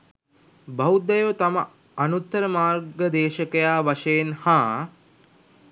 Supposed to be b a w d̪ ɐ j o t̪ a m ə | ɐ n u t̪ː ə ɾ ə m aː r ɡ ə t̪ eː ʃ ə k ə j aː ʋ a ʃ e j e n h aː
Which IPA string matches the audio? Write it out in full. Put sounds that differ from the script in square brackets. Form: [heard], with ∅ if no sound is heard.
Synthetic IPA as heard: b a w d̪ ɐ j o t̪ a m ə | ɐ n u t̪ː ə ɾ ə m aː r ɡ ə [d̪] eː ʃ ə k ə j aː ʋ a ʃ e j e n h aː